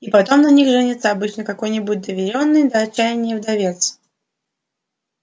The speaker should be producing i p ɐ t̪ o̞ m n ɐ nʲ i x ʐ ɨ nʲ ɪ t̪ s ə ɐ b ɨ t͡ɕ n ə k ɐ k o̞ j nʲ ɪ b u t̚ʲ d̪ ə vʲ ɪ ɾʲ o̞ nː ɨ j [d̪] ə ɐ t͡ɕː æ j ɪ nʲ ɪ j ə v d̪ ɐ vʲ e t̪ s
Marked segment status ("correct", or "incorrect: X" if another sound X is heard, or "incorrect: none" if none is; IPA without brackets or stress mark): correct